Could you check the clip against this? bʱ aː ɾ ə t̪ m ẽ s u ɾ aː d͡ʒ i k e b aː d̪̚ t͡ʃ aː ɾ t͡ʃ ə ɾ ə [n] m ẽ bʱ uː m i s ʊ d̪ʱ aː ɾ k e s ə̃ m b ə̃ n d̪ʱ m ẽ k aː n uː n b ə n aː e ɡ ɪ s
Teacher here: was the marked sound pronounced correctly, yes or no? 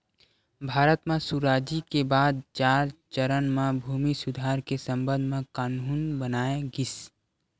yes